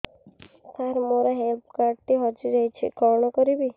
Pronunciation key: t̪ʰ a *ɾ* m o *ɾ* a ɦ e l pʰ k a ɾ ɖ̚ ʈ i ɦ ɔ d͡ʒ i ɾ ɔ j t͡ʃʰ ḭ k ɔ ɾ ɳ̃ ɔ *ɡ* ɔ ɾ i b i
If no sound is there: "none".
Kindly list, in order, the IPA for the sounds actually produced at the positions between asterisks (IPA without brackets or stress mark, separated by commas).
ɾ, ɾ, k